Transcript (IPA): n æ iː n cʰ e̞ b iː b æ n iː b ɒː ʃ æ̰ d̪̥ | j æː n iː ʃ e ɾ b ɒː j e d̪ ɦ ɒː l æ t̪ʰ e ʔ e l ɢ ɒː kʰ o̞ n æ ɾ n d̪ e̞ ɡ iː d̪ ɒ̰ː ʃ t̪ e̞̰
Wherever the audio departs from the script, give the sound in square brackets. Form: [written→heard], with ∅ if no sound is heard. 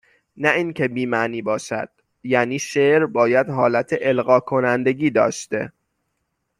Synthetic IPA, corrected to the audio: n æ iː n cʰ e̞ b iː [b→m] æ n iː b ɒː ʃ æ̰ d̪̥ | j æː n iː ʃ e ɾ b ɒː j [e→æ] d̪ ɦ ɒː l æ t̪ʰ e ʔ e l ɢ ɒː kʰ o̞ n æ [ɾ→∅] n d̪ e̞ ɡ iː d̪ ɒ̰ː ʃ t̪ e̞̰